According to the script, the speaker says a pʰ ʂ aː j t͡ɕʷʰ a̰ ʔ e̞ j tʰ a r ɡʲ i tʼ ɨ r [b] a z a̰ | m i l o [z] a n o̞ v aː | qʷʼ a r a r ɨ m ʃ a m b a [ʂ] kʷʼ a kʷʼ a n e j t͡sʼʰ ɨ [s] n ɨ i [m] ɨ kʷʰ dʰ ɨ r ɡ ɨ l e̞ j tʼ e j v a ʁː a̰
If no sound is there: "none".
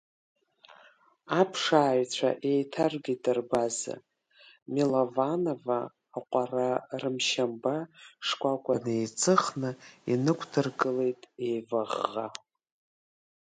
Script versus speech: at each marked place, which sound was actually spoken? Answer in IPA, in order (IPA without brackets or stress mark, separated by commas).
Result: b, v, ʂ, χ, n